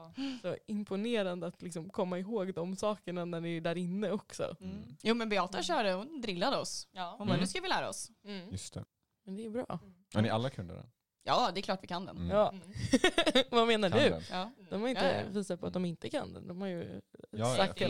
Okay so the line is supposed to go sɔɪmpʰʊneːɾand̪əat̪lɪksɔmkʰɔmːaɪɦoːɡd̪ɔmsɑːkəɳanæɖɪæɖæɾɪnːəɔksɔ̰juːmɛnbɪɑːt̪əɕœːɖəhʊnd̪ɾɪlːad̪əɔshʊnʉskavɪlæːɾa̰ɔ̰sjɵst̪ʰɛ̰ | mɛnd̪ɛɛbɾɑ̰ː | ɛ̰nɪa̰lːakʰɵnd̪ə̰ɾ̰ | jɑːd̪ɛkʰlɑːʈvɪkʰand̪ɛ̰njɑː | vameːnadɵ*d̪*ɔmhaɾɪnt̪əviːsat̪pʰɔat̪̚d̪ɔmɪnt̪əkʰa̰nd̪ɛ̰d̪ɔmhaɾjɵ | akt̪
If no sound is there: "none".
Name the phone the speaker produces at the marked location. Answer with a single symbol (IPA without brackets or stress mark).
d̪